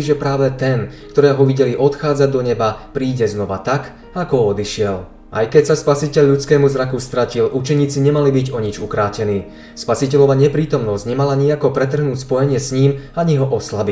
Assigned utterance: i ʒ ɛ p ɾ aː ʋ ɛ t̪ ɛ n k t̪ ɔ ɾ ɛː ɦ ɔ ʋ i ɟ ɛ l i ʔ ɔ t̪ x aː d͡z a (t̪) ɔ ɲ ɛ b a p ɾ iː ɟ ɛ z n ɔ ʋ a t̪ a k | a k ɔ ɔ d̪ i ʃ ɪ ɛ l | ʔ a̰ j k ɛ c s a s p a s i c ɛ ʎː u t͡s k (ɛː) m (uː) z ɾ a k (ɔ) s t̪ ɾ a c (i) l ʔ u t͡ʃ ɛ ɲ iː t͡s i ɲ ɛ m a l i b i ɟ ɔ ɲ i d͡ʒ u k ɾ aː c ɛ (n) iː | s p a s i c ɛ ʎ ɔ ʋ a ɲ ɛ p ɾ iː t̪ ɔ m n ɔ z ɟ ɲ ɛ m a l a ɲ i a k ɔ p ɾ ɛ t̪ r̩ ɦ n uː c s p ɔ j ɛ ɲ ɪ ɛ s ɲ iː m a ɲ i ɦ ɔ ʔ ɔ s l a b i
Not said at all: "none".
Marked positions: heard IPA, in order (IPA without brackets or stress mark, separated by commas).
d̪, ɛː, u, u, i, n